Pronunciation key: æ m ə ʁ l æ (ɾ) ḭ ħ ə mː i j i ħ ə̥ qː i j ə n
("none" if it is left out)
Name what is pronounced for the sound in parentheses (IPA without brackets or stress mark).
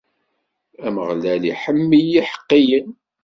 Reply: l